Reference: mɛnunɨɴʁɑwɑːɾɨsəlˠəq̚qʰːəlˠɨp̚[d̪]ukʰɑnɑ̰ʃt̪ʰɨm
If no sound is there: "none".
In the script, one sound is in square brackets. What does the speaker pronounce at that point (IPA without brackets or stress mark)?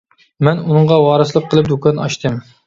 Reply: d̪